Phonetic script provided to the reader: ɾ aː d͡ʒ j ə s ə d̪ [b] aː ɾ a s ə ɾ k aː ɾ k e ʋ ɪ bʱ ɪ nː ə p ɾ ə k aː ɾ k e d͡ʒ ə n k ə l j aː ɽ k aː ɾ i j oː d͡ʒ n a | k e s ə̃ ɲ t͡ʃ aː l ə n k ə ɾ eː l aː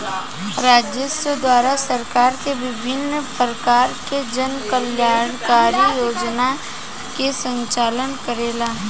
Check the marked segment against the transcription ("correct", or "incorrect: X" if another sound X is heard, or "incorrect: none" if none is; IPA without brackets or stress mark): incorrect: w